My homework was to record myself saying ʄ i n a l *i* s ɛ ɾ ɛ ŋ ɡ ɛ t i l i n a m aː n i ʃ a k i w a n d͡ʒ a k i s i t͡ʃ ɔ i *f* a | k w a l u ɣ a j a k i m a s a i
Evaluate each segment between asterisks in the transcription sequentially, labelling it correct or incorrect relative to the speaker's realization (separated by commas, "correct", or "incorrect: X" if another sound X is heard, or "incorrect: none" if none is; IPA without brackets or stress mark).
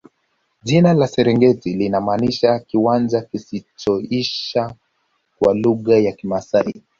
incorrect: a, incorrect: ʃ